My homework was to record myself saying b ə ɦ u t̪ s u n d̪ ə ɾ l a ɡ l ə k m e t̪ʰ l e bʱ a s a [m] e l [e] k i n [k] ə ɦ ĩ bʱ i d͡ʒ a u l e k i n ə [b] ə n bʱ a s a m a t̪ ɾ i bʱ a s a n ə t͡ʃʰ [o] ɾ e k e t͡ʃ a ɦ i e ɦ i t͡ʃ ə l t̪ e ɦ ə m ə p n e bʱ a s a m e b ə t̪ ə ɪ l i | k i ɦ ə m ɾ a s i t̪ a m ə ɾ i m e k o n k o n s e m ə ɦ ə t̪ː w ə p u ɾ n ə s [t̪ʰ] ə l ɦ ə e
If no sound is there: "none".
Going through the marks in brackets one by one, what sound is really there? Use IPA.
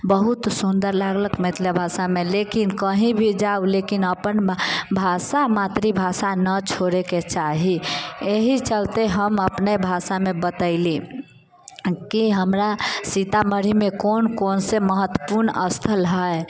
m, e, k, p, o, t̪ʰ

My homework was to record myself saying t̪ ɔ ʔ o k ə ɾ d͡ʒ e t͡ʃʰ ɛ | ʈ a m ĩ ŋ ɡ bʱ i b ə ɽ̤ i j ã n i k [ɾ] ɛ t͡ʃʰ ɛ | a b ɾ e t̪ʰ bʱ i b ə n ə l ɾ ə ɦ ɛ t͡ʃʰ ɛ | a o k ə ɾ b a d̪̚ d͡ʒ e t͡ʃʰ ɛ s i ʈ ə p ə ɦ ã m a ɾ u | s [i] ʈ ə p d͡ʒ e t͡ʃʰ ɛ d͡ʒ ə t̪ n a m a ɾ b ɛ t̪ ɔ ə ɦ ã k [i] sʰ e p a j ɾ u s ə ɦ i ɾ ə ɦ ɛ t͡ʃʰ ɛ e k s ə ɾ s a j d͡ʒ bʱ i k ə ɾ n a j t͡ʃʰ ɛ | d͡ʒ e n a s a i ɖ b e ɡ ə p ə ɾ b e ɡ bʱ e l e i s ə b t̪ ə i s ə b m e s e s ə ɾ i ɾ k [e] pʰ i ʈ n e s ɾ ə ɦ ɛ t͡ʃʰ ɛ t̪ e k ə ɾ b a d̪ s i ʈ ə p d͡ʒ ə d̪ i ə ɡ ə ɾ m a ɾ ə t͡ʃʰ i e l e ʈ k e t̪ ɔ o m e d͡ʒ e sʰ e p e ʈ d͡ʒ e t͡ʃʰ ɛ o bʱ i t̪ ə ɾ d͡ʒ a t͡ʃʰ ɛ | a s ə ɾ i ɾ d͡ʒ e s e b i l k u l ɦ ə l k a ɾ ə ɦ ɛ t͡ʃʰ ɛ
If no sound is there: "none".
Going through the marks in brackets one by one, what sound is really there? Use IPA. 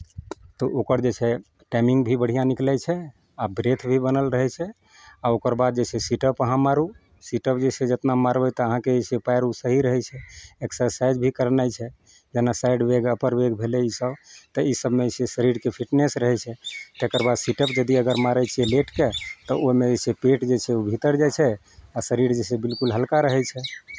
l, i, e, e

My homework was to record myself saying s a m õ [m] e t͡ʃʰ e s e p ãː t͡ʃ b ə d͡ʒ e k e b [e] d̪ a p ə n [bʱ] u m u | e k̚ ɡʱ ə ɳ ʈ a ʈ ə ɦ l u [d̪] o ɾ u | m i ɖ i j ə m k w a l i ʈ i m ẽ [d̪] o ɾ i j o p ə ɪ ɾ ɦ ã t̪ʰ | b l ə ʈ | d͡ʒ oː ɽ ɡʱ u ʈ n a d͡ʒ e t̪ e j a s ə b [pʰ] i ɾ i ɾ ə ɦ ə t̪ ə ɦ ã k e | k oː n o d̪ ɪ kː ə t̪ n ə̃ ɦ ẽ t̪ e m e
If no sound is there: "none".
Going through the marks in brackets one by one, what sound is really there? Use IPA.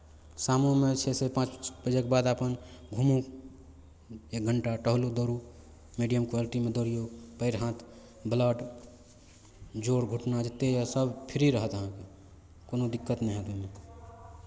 m, a, ɡʱ, d̪, d̪, pʰ

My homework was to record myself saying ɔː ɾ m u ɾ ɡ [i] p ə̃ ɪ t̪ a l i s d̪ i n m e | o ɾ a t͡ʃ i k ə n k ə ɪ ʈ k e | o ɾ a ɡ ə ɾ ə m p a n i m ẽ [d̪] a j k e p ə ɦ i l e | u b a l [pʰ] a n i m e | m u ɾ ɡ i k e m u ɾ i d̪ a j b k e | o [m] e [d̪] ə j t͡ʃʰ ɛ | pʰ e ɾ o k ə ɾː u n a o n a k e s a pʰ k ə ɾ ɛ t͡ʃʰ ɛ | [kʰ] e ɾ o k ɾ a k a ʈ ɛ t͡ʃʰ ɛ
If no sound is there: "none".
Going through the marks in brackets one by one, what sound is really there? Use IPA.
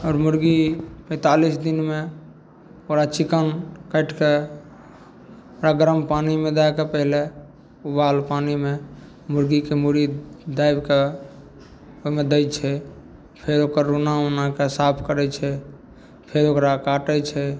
i, d̪, p, m, d̪, pʰ

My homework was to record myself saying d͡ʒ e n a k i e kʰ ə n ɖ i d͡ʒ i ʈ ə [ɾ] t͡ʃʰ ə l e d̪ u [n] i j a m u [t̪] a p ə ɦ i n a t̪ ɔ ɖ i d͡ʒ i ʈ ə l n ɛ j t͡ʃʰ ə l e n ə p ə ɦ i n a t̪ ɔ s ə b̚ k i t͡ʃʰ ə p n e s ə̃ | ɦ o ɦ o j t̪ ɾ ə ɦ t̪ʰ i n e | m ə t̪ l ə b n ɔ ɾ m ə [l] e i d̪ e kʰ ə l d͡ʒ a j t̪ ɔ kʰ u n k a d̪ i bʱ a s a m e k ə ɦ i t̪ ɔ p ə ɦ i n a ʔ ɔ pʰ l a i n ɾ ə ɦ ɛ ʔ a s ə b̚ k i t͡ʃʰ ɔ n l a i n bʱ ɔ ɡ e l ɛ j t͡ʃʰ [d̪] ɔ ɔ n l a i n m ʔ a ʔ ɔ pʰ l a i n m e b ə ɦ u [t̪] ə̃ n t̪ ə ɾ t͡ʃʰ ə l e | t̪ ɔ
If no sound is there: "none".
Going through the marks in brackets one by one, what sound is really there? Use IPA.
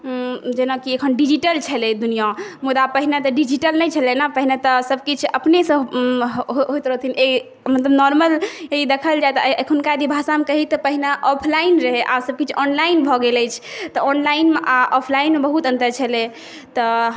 l, n, d̪, l, t̪, t̪

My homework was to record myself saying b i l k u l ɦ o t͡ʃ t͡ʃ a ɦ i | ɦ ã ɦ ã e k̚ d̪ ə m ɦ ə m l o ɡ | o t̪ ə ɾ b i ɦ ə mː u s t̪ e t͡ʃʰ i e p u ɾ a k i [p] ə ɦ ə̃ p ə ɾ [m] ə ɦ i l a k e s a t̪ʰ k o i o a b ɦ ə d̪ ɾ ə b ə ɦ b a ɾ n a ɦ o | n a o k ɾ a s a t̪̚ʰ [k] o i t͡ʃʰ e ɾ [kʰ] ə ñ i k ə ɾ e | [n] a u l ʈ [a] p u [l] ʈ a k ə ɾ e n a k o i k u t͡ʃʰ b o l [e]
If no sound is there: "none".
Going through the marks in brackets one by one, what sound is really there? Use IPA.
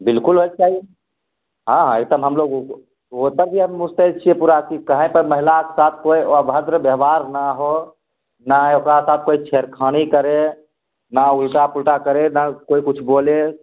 k, m, k, kʰ, n, a, l, e

